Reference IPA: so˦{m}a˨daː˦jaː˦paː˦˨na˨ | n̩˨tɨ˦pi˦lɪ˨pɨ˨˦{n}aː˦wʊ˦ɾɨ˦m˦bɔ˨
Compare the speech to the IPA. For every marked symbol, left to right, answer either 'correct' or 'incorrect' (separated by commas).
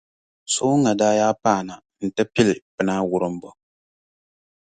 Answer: incorrect, correct